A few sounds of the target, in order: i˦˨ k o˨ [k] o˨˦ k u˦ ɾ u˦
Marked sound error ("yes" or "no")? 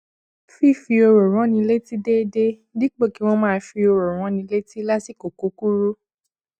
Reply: no